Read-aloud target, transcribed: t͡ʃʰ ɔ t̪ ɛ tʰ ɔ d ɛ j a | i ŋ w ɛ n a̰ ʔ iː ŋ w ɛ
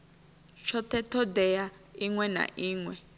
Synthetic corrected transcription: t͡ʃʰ ɔ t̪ ɛ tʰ ɔ d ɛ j a | i ŋ w ɛ n a̰ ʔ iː ŋ w ɛ